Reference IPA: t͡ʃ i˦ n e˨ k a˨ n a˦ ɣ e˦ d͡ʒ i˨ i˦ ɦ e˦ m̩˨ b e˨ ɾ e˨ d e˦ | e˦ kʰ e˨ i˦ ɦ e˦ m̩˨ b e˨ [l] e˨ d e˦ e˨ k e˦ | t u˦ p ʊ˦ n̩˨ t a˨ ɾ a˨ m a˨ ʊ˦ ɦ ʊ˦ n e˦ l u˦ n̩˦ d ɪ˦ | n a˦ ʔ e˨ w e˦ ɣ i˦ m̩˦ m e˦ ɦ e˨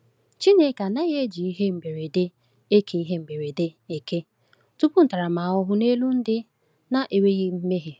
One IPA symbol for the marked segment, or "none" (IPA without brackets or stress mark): ɾ